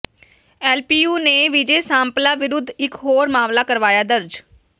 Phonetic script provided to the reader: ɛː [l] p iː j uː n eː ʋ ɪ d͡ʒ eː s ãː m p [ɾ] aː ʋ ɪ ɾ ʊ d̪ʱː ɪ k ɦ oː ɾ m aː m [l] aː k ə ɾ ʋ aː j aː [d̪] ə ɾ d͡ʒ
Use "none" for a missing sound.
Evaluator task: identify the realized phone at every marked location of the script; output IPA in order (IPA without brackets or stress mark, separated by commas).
l, l, l, d̪